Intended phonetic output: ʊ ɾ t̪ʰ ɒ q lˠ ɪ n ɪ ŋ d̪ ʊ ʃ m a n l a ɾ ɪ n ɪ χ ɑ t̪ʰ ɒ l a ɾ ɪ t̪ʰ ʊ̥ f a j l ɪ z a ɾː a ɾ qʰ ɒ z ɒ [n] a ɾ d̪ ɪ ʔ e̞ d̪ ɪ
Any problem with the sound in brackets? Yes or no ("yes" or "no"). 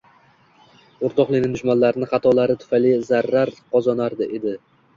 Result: no